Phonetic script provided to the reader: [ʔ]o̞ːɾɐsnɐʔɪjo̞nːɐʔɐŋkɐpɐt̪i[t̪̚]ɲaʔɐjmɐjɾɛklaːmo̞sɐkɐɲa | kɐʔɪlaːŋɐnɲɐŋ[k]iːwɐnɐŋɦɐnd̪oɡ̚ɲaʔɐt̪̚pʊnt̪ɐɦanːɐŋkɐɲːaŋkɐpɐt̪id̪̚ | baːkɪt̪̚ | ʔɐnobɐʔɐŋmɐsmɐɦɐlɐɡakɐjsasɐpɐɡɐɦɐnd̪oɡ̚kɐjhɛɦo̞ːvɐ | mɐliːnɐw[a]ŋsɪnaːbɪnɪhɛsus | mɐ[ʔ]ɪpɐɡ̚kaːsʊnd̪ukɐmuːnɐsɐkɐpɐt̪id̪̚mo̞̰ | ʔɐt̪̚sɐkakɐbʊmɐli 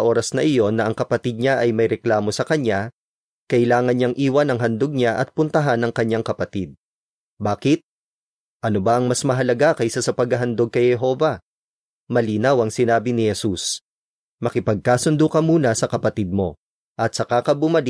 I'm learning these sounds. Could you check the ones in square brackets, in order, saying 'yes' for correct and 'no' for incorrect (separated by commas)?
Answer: yes, no, no, no, no